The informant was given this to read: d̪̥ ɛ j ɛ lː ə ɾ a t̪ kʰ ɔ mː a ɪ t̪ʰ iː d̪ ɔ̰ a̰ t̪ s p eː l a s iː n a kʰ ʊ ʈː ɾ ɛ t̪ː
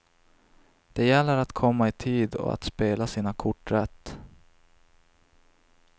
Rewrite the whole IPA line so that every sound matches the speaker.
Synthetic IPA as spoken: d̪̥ ɛ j ɛ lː ə ɾ a t̪ kʰ ɔ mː a ɪ t̪ʰ iː d̪ ɔ̰ a̰ t̪ s p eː l a s iː n a kʰ ʊ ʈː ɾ ɛ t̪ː